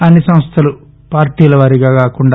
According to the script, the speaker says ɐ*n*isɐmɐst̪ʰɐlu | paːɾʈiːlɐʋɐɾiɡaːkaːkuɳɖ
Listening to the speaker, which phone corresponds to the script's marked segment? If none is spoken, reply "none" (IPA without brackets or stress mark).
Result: nː